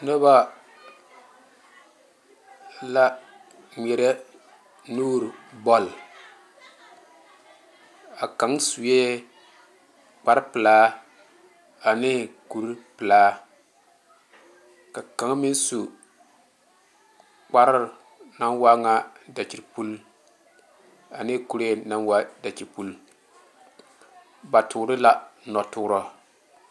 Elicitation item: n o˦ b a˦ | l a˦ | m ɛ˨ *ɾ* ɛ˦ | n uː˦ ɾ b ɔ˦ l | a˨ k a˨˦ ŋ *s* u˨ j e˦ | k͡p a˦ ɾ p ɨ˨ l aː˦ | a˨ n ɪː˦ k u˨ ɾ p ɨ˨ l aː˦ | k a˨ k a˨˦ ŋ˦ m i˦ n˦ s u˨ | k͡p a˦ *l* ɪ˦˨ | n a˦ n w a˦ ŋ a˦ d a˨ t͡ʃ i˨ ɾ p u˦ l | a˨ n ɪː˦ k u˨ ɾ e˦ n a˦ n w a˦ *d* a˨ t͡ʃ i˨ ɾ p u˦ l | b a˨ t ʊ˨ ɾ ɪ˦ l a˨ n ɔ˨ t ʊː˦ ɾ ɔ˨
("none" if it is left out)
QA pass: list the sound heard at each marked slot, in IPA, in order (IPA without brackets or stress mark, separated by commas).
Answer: ɾ, s, ɾ, d